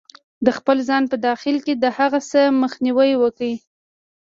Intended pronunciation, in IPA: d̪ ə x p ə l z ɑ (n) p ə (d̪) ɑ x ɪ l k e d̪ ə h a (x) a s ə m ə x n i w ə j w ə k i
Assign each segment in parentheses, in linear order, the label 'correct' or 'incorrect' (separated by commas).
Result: correct, correct, incorrect